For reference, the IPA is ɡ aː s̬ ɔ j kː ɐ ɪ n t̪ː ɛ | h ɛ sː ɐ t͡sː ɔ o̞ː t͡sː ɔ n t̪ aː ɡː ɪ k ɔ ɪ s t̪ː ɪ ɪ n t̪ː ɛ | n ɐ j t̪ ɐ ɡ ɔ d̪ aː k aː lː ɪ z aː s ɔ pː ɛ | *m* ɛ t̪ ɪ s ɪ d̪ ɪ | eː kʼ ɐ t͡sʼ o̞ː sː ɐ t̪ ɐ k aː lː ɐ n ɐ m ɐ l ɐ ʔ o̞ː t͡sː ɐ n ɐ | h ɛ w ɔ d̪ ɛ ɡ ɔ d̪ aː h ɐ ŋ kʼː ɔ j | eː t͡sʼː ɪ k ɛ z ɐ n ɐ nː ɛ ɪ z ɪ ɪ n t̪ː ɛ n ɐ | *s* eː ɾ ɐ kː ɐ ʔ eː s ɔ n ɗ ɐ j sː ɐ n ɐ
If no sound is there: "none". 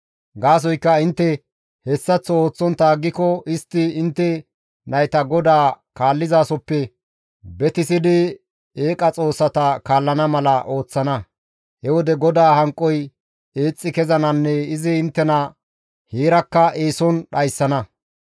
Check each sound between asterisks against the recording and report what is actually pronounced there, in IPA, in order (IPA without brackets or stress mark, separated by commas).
b, h